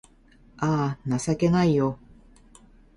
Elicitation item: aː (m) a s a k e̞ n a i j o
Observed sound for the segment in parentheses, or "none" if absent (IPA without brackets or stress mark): n